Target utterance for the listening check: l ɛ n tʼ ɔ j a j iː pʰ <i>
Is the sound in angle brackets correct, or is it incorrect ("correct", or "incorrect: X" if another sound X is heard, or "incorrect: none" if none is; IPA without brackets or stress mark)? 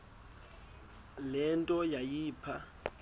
incorrect: a